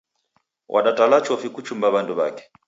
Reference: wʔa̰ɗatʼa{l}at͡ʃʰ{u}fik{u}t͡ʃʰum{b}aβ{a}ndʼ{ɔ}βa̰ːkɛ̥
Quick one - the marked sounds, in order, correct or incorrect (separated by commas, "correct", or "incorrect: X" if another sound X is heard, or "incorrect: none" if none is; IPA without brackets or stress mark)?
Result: correct, incorrect: ɔ, correct, correct, correct, incorrect: u